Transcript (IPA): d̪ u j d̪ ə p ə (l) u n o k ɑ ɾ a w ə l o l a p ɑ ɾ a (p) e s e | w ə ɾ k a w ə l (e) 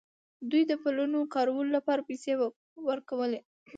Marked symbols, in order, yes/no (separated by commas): yes, yes, yes